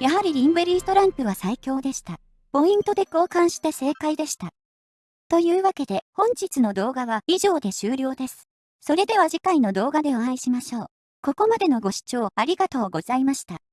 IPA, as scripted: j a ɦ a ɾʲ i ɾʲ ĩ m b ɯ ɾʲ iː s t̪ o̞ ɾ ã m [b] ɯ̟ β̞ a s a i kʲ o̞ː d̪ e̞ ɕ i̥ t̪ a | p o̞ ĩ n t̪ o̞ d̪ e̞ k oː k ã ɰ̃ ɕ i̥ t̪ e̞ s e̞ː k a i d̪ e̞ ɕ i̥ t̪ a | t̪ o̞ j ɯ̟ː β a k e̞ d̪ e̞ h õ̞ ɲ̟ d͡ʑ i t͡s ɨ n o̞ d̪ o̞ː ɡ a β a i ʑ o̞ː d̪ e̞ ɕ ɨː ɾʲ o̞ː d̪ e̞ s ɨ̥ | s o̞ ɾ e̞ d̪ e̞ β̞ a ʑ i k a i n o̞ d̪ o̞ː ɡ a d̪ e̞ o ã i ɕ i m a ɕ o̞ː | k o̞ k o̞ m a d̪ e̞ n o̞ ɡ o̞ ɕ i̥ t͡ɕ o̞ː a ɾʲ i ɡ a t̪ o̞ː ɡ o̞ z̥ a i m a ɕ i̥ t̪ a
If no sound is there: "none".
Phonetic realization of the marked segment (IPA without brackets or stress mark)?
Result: p